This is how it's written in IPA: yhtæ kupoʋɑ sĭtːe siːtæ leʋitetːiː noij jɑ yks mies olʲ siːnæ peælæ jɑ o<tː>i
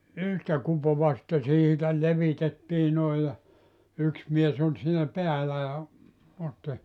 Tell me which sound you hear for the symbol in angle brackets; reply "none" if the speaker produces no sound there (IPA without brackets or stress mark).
tː